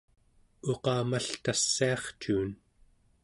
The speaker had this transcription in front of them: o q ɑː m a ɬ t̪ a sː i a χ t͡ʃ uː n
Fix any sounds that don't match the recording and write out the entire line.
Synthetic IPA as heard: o q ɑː m a ɬ t̪ a sː i ɑ χ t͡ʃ uː n